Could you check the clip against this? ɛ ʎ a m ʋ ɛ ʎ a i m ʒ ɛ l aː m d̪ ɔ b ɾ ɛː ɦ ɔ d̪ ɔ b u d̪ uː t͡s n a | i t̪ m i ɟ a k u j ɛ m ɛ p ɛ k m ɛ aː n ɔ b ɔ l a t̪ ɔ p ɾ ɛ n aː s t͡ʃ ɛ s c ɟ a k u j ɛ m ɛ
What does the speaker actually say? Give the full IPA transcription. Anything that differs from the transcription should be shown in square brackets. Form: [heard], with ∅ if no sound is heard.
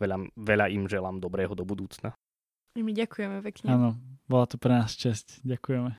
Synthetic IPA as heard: ɛ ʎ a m ʋ ɛ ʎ a i m ʒ ɛ l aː m d̪ ɔ b ɾ ɛː ɦ ɔ d̪ ɔ b u d̪ uː t͡s n a | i [∅] m i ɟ a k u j ɛ m ɛ p ɛ k [ɲ] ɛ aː n ɔ b ɔ l a t̪ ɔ p ɾ ɛ n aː s t͡ʃ ɛ s c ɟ a k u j ɛ m ɛ